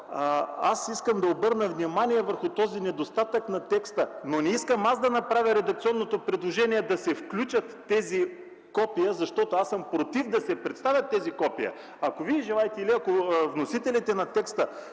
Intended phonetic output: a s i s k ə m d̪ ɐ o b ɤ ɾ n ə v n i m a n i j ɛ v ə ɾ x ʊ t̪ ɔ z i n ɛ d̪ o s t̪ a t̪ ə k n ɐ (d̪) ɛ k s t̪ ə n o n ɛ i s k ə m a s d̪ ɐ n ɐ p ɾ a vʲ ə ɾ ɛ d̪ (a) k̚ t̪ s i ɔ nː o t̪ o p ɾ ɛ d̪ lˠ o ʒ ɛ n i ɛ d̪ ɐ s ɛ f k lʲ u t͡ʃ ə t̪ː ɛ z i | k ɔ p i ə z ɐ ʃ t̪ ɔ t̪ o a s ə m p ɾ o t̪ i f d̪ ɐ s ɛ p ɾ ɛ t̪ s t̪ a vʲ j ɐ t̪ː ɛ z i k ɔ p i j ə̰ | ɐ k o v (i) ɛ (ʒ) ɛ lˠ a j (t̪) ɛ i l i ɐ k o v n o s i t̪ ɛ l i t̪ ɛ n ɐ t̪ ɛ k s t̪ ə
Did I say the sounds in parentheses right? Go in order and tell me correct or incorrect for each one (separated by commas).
incorrect, incorrect, correct, correct, correct